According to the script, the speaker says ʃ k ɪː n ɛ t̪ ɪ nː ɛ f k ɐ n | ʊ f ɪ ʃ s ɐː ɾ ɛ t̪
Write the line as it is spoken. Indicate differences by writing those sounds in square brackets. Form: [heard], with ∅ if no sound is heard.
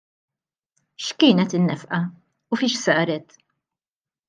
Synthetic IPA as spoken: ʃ k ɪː n ɛ t̪ ɪ nː ɛ f [ʔ] ɐ [∅] | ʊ f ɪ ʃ s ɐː ɾ ɛ t̪